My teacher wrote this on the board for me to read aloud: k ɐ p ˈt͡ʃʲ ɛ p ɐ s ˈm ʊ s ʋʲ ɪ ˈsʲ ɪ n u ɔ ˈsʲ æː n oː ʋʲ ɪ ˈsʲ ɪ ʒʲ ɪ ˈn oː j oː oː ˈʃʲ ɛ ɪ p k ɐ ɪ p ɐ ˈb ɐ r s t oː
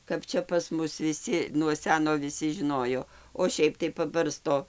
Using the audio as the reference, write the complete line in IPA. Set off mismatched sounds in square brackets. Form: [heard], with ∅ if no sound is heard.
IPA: k ɐ p ˈt͡ʃʲ ɛ p ɐ s ˈm ʊ s ʋʲ ɪ ˈsʲ ɪ n u ɔ ˈsʲ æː n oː ʋʲ ɪ ˈsʲ ɪ ʒʲ ɪ ˈn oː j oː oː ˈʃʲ ɛ ɪ p [t] ɐ ɪ p ɐ ˈb ɐ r s t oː